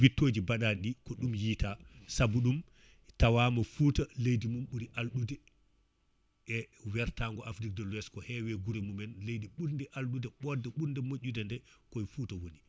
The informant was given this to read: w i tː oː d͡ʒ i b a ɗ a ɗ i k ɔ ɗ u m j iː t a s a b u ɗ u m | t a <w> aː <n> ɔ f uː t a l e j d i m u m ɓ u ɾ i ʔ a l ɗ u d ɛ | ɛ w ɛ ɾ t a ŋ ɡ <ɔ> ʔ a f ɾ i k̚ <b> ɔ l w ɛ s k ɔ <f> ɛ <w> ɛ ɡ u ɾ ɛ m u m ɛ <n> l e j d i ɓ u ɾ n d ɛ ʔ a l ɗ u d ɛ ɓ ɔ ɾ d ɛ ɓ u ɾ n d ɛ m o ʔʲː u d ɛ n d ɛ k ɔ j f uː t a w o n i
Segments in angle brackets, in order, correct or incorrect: correct, incorrect: m, correct, incorrect: d, incorrect: h, correct, correct

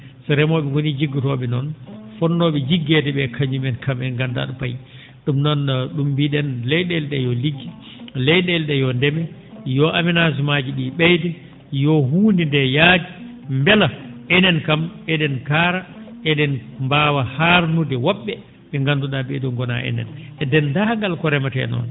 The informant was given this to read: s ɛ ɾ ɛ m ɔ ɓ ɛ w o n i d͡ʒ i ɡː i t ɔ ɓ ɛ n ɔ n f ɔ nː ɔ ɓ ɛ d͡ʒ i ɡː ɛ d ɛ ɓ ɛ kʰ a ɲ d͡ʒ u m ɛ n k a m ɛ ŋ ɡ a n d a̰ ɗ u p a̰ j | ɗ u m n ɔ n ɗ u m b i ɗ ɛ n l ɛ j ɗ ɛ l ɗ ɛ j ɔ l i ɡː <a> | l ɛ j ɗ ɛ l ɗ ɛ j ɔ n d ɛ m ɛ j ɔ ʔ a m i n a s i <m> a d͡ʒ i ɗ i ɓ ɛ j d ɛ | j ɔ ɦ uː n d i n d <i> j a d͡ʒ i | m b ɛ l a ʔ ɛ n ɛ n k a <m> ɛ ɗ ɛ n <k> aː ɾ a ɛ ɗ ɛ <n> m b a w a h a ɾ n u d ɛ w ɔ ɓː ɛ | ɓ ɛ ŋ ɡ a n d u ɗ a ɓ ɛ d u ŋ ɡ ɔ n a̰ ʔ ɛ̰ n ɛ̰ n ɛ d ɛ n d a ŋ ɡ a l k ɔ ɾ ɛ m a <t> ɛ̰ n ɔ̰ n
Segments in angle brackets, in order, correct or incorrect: incorrect: i, correct, incorrect: ɛ, correct, correct, correct, correct

